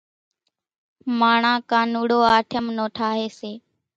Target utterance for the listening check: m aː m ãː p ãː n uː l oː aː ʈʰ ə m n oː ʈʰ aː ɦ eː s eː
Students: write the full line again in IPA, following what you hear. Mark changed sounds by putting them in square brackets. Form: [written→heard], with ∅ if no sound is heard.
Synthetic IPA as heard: m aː [m→ɳ] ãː [p→k] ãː n uː [l→ɽ] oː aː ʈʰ ə m n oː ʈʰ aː ɦ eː s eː

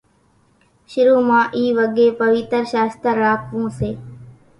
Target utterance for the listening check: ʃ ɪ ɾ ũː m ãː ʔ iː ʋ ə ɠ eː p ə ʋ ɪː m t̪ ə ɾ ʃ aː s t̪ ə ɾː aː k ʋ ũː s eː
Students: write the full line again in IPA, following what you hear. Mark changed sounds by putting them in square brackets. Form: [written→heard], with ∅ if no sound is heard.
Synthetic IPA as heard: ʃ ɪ ɾ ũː m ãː ʔ iː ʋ ə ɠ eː p ə ʋ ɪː [m→∅] t̪ ə ɾ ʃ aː s t̪ ə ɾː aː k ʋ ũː s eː

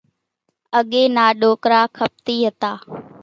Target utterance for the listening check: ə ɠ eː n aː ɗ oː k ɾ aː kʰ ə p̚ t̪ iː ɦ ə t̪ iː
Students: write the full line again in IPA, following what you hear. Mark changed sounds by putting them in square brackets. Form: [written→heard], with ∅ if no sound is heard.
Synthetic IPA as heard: ə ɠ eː n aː ɗ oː k ɾ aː kʰ ə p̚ t̪ iː ɦ ə t̪ [iː→aː]

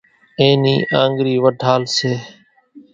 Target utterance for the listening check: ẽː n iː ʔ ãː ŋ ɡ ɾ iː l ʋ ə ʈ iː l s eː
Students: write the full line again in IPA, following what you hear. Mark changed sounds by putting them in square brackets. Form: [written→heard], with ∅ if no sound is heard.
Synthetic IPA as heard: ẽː n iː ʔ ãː ŋ ɡ ɾ iː [l→∅] ʋ ə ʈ [iː→aː] l s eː

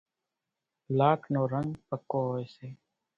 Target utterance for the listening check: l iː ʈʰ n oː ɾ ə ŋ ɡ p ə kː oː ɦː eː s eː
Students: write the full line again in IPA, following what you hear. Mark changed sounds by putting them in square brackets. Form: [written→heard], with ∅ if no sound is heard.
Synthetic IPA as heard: l [iː→aː] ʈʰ n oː ɾ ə ŋ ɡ p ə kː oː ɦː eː s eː

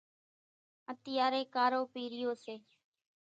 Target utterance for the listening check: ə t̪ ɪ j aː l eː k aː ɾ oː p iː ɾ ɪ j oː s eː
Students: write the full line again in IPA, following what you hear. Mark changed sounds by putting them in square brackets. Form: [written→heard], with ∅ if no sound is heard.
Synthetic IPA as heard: ə t̪ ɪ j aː [l→ɾ] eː k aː ɾ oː p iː ɾ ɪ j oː s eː

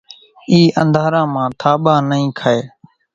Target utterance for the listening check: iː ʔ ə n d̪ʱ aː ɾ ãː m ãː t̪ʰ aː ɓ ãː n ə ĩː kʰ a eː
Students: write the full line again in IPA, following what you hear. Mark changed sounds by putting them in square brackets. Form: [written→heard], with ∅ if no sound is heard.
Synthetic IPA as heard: iː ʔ ə n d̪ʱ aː ɾ ãː m ãː t̪ʰ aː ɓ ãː n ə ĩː kʰ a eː

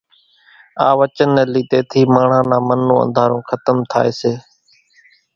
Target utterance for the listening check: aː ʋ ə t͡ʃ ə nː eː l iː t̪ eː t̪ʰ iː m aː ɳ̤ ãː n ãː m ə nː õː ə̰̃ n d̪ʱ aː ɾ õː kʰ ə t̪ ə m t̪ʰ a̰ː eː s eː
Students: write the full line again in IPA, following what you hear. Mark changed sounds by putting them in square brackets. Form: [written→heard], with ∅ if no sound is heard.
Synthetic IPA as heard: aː ʋ ə t͡ʃ ə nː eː l iː t̪ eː t̪ʰ iː m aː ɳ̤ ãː n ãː m ə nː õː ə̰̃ n d̪ʱ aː ɾ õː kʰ ə t̪ ə m t̪ʰ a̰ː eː s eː

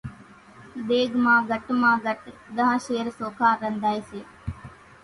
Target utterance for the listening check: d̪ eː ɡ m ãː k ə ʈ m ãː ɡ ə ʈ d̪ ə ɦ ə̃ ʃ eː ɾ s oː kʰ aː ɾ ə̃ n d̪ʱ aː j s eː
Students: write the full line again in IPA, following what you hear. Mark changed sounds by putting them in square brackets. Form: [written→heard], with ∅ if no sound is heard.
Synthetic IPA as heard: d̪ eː ɡ m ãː [k→ɡ] ə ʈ m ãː ɡ ə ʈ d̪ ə ɦ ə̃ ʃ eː ɾ s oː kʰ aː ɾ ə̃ n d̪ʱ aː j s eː

